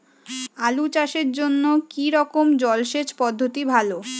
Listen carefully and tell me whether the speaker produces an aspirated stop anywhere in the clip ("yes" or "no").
no